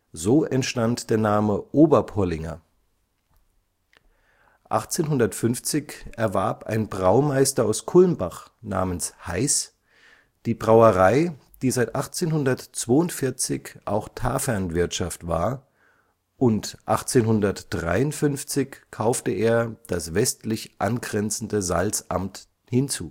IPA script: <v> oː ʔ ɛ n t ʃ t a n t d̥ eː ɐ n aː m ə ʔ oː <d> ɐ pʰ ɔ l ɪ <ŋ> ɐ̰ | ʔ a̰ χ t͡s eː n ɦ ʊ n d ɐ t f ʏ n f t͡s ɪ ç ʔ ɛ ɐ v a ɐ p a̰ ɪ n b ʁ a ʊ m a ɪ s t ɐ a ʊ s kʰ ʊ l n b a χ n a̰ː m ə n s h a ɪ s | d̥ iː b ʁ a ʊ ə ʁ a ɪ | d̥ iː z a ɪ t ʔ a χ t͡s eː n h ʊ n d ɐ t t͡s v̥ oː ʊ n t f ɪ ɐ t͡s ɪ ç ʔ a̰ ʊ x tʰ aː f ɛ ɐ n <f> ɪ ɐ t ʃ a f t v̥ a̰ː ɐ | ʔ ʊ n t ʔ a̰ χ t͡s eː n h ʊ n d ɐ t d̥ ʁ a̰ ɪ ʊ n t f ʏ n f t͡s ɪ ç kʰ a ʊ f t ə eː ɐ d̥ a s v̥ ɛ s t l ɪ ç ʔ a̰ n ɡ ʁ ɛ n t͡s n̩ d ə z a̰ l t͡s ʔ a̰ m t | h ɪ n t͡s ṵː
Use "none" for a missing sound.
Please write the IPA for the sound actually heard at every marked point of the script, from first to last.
z, b, ŋ, v

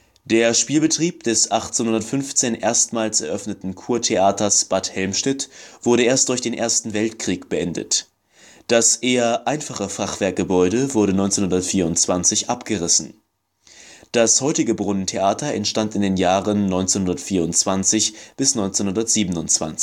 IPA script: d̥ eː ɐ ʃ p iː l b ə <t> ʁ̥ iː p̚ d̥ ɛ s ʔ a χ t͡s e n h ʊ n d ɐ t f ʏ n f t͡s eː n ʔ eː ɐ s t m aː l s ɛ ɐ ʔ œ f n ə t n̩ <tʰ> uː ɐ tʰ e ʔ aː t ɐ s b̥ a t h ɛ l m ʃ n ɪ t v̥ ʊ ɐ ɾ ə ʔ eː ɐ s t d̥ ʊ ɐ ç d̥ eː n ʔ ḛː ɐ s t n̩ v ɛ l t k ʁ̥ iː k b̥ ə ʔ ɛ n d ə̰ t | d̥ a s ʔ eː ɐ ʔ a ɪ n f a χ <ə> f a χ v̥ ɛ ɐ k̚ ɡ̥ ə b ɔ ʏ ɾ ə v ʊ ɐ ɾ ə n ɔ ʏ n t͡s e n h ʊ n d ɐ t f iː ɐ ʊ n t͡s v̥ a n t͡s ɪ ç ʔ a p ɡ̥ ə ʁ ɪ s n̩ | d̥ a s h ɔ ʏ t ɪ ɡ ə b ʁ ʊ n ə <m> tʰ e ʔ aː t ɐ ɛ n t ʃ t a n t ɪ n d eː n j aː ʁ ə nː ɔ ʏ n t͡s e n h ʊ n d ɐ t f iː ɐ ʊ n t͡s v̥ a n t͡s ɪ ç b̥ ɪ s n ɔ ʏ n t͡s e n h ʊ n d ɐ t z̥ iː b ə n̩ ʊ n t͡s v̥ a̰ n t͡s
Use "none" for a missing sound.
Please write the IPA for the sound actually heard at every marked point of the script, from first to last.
t, kʰ, ə, n

